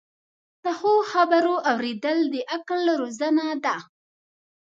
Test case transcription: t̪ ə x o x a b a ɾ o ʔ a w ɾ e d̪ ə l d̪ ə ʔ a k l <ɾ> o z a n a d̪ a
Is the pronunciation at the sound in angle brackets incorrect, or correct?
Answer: correct